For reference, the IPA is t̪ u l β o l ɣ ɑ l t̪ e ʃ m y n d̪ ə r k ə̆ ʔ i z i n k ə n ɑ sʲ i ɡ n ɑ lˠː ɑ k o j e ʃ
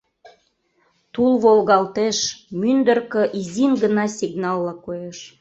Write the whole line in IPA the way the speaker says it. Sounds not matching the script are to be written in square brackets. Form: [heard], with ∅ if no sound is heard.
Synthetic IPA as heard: t̪ u l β o l ɣ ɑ l t̪ e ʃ m y n d̪ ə r k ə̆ ʔ i z i n [ɡ] ə n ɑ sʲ i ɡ n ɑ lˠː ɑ k o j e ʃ